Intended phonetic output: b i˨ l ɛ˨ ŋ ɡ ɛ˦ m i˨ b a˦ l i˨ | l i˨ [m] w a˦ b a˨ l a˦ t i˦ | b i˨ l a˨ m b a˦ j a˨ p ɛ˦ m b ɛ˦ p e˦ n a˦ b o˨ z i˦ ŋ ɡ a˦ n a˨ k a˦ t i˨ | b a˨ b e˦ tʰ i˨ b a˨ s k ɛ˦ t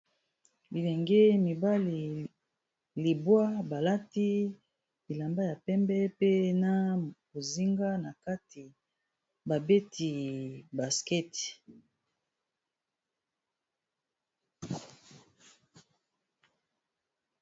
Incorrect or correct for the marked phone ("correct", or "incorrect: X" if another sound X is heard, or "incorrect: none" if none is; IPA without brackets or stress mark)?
incorrect: b